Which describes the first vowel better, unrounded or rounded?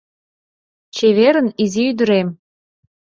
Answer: unrounded